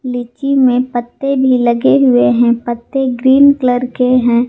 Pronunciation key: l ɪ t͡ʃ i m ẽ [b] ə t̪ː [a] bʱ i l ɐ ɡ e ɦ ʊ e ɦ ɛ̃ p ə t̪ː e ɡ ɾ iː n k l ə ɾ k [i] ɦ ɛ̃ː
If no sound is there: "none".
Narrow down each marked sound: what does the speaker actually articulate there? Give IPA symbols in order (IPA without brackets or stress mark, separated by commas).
p, e, e